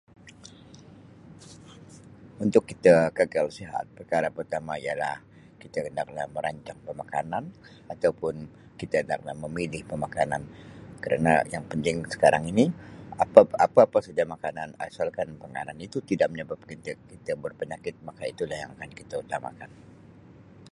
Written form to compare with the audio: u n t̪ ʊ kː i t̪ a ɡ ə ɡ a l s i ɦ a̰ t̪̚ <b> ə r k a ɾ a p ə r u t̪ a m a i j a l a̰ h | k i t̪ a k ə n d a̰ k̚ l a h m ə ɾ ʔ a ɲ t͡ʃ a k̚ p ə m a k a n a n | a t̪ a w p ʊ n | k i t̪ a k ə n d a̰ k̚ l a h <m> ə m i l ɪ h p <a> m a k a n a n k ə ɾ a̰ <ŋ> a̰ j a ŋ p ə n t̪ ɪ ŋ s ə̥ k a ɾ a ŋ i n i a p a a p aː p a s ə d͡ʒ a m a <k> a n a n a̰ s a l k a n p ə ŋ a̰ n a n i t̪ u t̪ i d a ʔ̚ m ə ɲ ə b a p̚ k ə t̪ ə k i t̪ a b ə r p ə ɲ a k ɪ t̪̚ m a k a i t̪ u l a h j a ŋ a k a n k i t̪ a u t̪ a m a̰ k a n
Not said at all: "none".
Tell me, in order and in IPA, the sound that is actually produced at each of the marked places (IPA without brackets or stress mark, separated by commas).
p, m, ə, n, k